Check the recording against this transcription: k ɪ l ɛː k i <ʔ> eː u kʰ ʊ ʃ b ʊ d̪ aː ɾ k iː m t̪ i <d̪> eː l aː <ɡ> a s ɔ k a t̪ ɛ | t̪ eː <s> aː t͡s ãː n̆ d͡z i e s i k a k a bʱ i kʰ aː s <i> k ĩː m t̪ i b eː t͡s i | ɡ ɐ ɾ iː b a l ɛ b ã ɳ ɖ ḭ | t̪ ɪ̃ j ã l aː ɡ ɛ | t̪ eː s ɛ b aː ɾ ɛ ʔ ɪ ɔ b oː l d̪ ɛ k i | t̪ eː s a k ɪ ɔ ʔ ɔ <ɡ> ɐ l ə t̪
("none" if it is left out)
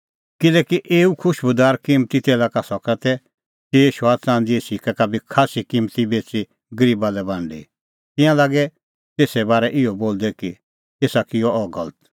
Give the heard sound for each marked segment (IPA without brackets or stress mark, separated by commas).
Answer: ʔ, t̪, k, ʃ, i, ɡ